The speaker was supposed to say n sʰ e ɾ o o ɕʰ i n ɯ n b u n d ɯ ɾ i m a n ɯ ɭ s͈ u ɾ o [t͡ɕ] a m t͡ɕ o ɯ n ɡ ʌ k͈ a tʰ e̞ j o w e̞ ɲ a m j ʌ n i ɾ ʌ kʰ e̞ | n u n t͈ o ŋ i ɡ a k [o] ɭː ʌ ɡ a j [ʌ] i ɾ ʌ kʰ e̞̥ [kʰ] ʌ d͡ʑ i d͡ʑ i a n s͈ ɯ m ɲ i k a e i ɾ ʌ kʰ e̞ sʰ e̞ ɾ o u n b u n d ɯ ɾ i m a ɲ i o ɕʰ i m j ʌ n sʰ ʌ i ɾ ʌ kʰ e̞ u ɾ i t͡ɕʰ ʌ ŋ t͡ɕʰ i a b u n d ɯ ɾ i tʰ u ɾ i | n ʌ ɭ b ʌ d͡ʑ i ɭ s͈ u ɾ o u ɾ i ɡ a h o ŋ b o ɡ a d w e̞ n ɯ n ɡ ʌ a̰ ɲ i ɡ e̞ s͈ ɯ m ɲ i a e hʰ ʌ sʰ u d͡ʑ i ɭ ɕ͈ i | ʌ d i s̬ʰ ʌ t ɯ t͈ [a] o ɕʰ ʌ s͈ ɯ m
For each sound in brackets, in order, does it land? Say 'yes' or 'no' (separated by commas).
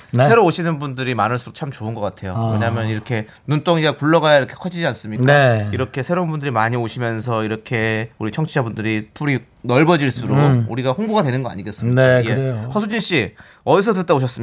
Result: no, no, no, yes, yes